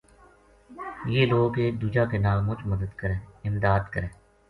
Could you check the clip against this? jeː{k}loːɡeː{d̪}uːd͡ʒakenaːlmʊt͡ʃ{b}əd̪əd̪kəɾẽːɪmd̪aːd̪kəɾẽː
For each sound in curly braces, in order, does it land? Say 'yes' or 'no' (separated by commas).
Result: no, yes, no